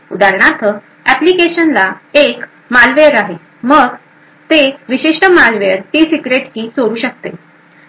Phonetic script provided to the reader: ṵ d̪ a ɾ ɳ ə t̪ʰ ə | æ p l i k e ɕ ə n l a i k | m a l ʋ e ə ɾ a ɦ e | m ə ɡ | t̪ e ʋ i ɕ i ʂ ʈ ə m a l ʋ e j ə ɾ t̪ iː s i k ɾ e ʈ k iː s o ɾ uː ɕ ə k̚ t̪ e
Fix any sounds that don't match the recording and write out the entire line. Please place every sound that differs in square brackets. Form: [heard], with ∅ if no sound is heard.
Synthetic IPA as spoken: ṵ d̪ a ɾ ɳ [a] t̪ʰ ə | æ p l i k e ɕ ə n l a [e] k | m a l ʋ e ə ɾ a ɦ e | m ə ɡ | t̪ e ʋ i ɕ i ʂ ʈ ə m a l ʋ e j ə ɾ t̪ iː s i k ɾ e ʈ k iː s o ɾ uː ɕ ə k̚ t̪ e